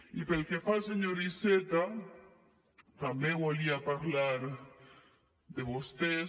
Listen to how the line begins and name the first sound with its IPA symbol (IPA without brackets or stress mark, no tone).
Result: i